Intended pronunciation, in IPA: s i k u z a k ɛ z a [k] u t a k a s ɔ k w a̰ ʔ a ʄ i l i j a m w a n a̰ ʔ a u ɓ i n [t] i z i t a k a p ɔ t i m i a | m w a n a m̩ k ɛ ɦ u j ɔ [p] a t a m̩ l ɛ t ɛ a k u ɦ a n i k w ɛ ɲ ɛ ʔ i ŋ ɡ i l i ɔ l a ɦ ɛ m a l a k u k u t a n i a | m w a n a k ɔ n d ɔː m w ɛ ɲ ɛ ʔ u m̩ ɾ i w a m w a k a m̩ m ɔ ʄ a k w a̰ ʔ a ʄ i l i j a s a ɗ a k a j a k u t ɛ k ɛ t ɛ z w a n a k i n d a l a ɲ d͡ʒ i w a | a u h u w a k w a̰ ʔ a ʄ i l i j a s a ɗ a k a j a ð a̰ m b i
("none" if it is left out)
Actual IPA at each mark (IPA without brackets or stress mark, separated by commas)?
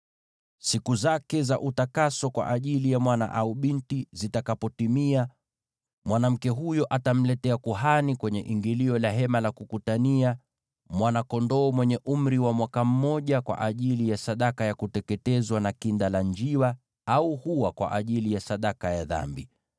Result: ʔ, t, ʔ